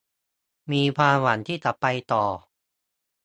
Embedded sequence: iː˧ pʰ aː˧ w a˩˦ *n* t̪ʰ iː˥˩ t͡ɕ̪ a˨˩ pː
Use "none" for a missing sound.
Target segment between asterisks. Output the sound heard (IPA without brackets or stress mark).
n